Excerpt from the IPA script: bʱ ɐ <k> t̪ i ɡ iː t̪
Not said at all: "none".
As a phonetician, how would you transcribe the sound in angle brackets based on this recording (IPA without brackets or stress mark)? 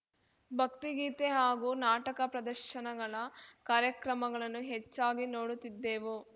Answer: k